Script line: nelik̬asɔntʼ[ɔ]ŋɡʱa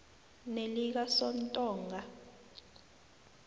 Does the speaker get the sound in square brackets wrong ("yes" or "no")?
yes